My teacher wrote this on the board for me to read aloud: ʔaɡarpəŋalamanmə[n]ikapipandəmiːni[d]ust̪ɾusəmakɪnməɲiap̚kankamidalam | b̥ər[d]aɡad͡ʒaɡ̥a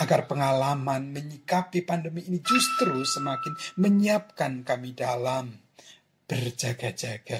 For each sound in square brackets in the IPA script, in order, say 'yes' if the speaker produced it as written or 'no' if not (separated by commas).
no, no, no